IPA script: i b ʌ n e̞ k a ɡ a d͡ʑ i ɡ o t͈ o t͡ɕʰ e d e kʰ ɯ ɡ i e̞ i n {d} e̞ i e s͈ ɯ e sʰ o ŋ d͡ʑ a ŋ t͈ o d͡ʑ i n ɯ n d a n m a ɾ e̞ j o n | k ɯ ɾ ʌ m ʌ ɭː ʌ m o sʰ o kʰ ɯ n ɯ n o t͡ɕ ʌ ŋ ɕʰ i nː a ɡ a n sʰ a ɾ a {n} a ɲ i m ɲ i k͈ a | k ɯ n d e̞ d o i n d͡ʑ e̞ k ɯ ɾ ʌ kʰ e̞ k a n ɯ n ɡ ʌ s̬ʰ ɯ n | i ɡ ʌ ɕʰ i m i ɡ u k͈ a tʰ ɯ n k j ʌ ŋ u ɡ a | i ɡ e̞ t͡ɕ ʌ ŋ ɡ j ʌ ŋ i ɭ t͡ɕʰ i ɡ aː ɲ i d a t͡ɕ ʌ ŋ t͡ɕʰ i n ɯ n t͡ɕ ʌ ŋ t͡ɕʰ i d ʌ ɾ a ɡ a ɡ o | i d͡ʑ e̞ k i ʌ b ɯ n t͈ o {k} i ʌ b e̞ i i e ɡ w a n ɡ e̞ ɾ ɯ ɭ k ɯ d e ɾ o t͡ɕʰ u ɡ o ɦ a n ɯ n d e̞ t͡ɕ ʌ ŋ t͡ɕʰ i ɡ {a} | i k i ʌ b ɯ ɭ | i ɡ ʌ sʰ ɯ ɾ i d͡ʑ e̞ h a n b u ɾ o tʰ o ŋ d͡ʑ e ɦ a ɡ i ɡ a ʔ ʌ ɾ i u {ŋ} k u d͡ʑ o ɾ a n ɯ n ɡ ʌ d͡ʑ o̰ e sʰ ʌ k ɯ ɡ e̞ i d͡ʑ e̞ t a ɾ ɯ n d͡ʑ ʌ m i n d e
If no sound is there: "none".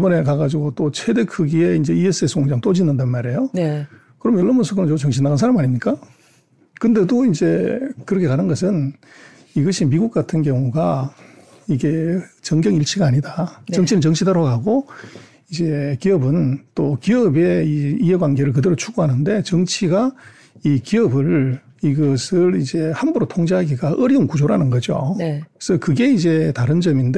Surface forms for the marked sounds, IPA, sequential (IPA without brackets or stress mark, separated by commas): d͡ʑ, m, k, a, n